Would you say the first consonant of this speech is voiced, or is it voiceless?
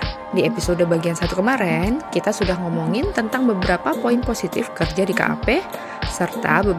voiced